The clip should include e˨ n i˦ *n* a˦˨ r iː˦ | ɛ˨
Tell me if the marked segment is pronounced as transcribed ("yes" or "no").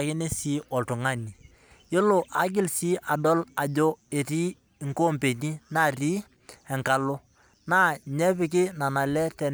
yes